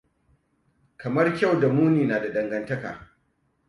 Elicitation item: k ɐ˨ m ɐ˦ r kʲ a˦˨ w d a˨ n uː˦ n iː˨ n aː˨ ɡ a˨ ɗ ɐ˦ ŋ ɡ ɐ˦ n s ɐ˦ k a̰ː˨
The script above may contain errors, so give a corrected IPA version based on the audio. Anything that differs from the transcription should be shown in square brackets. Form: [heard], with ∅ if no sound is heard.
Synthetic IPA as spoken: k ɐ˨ m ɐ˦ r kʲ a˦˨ w d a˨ [m] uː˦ n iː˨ n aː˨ [d] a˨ ɗ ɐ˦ ŋ ɡ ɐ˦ n [t] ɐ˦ k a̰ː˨